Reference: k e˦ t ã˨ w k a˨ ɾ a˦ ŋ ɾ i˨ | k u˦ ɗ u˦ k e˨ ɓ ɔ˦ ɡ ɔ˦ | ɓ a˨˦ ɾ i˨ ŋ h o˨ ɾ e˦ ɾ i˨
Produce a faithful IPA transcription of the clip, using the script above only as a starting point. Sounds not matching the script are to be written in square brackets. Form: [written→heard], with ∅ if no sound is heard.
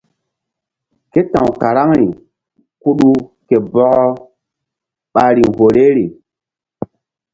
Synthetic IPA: k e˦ t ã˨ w k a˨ ɾ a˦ ŋ ɾ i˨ | k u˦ ɗ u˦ k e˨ [ɓ→b] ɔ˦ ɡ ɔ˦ | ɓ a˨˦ ɾ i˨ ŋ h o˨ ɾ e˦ ɾ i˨